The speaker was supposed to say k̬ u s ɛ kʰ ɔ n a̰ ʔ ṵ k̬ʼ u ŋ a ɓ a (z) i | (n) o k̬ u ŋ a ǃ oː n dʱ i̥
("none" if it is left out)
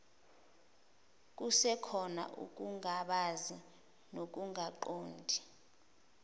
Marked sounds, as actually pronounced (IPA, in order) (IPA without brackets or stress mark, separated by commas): z, n